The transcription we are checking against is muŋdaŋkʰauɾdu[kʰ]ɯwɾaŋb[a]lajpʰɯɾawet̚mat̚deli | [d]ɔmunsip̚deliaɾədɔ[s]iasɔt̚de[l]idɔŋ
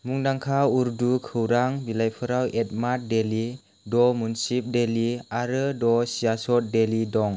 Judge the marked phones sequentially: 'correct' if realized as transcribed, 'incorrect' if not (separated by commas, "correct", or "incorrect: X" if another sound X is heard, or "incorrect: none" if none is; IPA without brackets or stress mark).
correct, incorrect: i, correct, correct, correct